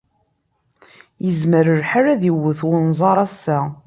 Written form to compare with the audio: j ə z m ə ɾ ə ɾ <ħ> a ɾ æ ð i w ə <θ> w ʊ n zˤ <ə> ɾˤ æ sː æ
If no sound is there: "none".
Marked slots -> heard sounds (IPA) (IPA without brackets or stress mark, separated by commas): ħ, θ, ɑ